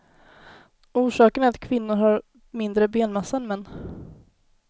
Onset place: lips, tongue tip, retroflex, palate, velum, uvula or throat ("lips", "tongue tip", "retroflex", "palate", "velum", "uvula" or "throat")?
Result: retroflex